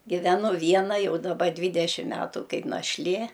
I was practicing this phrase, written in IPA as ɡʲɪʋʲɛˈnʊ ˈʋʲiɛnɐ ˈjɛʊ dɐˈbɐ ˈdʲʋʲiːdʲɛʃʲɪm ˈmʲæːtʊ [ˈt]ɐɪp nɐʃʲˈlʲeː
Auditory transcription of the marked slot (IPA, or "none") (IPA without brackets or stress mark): k